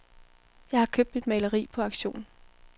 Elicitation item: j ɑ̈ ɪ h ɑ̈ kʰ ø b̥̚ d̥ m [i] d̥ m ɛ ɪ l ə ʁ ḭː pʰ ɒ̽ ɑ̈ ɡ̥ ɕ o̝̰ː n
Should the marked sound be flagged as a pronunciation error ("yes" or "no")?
no